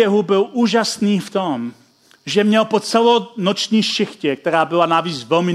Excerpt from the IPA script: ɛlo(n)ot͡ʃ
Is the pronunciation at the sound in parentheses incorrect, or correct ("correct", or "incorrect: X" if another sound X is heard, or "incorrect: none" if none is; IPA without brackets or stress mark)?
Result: correct